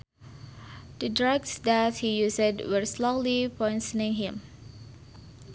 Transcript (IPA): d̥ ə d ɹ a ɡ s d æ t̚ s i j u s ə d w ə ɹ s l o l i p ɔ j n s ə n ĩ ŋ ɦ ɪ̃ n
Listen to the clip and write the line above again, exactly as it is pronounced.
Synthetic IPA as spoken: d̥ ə d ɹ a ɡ s d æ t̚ h i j u s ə d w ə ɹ s l o l i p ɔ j n s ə n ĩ ŋ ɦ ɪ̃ m